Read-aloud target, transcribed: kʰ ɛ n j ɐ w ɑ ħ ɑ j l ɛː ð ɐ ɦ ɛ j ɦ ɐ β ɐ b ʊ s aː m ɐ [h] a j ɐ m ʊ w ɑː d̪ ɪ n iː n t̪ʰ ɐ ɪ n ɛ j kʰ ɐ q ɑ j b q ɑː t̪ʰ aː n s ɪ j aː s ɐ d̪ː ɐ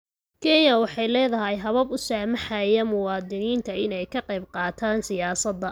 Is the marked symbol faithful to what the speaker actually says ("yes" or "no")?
no